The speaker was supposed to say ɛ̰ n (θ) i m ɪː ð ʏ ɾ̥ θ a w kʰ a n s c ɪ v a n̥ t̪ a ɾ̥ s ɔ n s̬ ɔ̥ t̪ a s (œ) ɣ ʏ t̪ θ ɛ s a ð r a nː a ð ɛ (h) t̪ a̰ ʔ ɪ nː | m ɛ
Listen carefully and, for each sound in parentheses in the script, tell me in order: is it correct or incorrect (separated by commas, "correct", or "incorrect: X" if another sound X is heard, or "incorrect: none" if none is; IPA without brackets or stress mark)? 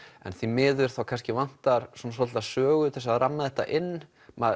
correct, incorrect: œː, correct